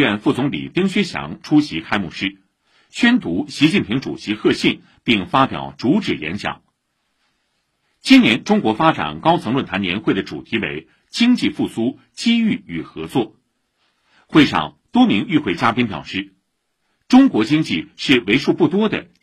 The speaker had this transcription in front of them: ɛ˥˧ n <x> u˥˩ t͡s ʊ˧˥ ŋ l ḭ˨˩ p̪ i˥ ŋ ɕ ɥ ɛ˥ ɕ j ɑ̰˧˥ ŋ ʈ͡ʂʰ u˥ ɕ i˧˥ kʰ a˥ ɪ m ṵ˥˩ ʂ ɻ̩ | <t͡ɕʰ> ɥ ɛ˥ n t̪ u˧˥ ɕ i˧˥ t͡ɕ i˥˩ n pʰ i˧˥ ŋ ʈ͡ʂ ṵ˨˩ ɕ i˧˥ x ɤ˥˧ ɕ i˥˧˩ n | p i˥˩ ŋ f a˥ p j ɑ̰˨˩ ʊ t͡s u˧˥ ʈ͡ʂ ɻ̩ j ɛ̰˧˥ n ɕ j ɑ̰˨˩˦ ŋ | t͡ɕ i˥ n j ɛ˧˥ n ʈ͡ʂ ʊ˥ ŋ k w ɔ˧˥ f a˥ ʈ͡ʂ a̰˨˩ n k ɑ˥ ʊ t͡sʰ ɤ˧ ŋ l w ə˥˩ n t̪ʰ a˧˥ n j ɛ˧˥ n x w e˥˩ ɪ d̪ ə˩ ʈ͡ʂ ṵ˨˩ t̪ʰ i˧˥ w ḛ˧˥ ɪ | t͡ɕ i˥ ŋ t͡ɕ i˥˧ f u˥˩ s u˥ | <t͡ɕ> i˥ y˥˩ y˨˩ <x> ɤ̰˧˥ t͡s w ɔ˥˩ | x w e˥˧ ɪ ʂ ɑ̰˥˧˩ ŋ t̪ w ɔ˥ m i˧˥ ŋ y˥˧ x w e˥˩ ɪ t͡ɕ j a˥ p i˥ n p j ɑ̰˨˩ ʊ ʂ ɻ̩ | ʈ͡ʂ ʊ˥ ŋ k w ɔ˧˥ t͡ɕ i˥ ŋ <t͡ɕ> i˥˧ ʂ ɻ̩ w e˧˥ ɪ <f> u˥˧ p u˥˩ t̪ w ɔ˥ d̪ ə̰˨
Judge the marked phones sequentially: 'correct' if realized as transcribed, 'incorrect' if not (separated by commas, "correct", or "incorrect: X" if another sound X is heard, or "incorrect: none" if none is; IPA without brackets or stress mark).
incorrect: f, correct, correct, correct, correct, incorrect: ʂ